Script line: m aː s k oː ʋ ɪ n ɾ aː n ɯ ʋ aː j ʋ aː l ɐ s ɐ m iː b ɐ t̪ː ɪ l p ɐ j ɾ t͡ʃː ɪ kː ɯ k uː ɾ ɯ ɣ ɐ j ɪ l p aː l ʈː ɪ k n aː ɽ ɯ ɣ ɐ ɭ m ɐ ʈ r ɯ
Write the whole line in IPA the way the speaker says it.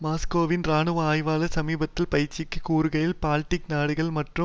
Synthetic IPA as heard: m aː s k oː ʋ ɪ n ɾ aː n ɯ ʋ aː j ʋ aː l ɐ s ɐ m iː b ɐ t̪ː ɪ l p ɐ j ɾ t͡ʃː ɪ kː ɯ k uː ɾ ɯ ɣ ɐ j ɪ l p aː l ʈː ɪ k n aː ɽ ɯ ɣ ɐ ɭ m ɐ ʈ r ɯ